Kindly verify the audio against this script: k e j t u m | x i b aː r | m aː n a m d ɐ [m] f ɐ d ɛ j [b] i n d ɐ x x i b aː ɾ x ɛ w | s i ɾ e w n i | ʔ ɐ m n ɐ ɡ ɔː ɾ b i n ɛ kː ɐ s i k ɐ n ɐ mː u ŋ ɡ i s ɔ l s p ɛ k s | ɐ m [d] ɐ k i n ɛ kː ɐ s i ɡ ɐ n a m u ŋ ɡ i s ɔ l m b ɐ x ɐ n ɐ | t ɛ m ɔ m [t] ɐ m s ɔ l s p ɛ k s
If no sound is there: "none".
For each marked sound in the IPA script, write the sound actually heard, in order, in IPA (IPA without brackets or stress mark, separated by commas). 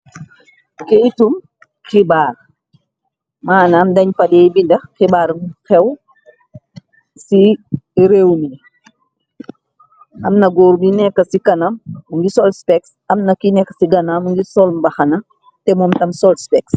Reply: ɲ, b, n, t